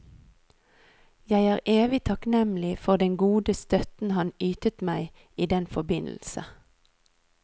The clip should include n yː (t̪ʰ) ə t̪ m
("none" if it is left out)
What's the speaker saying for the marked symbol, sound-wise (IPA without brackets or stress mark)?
t̪